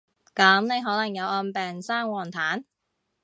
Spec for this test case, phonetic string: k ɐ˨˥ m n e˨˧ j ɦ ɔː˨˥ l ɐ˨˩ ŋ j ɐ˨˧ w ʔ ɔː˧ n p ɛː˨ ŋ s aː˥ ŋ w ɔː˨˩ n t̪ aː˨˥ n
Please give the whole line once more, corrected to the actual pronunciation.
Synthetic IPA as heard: k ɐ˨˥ m n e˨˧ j ɦ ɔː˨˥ l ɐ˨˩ ŋ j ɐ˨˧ w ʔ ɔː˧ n p ɛː˨ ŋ s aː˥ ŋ w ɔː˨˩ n t̪ʰ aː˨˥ n

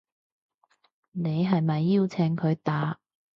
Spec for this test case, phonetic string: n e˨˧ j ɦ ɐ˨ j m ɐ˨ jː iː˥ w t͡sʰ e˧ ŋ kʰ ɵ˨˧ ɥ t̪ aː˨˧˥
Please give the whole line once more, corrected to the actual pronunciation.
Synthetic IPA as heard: n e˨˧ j ɦ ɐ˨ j m ɐ˨ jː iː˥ w t͡sʰ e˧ ŋ kʰ ɵ˨˧ ɥ t̪ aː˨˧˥

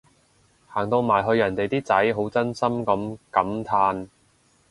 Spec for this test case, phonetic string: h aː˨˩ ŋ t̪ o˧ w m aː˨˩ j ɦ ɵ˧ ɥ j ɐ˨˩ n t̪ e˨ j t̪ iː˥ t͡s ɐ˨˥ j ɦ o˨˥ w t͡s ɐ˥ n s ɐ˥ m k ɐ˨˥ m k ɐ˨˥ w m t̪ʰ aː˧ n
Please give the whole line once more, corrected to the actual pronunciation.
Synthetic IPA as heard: h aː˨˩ ŋ t̪ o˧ w m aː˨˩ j ɦ ɵ˧ ɥ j ɐ˨˩ n t̪ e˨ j t̪ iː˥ t͡s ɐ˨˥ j ɦ o˨˥ w t͡s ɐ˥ n s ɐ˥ m k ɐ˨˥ m k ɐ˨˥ m t̪ʰ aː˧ n

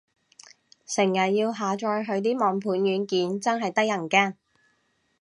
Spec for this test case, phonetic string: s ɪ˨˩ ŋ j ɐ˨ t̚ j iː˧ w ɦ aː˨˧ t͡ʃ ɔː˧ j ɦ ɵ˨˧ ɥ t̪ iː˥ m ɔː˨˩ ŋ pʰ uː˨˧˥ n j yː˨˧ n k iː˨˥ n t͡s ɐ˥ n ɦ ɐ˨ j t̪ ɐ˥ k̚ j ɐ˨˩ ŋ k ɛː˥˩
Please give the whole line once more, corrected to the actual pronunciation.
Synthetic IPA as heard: s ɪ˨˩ ŋ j ɐ˨ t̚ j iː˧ w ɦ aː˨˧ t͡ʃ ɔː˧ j ɦ ɵ˨˧ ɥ t̪ iː˥ m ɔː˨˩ ŋ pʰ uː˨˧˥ n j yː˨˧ n k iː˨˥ n t͡s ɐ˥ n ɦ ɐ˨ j t̪ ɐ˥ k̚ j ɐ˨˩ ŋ k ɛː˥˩

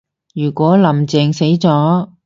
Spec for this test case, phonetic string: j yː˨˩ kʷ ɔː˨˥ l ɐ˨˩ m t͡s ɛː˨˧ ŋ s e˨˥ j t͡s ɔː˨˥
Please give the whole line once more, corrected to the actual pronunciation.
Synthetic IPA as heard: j yː˨˩ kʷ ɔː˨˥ l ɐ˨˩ m t͡s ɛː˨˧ ŋ s e˨˥ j t͡s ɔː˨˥

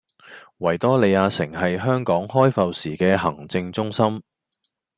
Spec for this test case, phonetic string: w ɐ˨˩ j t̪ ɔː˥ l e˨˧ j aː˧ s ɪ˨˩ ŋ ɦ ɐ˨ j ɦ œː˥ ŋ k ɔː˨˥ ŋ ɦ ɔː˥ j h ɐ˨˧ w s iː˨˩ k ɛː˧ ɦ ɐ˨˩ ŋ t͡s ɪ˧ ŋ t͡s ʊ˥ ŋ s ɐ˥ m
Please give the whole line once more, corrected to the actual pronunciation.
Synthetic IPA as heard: w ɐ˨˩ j t̪ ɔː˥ l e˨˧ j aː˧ s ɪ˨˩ ŋ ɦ ɐ˨ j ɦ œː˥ ŋ k ɔː˨˥ ŋ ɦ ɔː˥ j f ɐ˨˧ w s iː˨˩ k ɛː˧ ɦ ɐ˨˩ ŋ t͡s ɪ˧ ŋ t͡s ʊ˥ ŋ s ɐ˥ m

